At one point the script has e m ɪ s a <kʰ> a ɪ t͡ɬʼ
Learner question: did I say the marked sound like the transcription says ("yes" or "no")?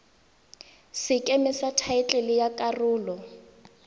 no